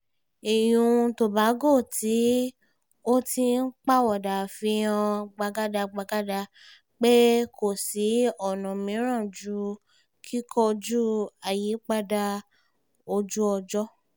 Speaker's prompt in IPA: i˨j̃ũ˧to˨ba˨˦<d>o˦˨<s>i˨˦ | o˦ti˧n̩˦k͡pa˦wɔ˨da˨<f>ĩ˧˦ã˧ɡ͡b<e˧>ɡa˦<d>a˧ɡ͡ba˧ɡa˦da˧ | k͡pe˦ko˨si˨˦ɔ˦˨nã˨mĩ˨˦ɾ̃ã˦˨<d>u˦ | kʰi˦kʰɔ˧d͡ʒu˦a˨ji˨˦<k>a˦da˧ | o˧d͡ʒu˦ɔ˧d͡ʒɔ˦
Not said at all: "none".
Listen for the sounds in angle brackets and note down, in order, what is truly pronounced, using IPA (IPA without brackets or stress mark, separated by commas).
ɡ, t, f, a˧, d, d͡ʒ, k͡p